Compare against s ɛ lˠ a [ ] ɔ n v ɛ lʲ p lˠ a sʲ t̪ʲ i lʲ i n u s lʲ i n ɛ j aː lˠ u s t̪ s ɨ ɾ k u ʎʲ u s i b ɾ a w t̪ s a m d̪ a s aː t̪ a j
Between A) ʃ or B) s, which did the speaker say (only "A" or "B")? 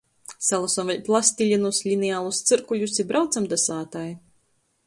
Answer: B